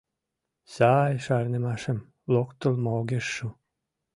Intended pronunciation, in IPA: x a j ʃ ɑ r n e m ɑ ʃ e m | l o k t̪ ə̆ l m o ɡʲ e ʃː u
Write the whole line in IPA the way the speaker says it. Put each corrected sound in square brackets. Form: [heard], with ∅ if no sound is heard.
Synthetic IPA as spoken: [s] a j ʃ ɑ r n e m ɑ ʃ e m | l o k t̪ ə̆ l m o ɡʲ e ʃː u